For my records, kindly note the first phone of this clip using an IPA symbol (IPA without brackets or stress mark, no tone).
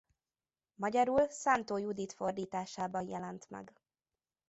m